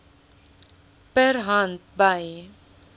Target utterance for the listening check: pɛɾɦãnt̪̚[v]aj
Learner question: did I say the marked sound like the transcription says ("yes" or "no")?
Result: no